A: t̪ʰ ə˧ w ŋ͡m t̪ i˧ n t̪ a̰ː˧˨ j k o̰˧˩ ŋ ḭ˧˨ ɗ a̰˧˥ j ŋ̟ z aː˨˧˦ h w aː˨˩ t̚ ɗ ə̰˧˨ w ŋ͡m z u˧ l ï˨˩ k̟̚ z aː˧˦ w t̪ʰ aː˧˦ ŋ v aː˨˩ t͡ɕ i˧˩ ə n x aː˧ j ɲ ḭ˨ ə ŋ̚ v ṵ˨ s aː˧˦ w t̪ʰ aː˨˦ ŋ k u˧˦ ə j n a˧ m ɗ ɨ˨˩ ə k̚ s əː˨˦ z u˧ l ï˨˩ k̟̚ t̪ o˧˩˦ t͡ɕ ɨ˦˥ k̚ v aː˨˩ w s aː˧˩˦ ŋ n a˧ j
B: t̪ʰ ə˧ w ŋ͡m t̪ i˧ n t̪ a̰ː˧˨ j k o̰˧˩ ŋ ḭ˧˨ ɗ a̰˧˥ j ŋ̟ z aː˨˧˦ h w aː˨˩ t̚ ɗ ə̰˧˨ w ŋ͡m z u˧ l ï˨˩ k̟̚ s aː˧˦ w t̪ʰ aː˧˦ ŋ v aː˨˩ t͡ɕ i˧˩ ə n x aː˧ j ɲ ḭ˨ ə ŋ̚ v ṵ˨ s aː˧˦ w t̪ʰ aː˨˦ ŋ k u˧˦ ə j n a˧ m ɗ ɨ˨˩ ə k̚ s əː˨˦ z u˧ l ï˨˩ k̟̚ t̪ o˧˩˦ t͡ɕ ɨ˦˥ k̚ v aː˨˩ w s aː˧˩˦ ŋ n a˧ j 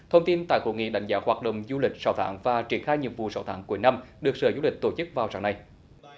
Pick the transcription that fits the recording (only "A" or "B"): B